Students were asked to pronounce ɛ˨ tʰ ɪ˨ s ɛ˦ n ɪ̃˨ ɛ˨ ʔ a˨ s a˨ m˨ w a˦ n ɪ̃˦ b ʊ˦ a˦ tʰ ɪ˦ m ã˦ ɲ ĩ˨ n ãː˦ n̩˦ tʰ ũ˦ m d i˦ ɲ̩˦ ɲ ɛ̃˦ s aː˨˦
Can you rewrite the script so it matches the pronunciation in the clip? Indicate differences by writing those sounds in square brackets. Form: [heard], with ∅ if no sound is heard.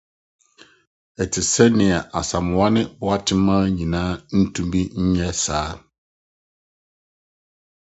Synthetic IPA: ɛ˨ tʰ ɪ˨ s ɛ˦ n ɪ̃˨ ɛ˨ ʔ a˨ s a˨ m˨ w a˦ n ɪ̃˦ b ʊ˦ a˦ tʰ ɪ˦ m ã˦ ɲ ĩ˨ n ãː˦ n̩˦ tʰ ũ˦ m [b] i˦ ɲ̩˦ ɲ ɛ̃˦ s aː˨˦